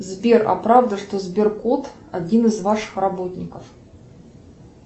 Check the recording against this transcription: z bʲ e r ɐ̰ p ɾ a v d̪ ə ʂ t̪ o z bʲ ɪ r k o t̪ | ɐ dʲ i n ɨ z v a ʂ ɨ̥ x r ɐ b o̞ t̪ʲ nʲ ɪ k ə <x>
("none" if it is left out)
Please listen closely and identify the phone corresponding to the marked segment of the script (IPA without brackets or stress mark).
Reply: f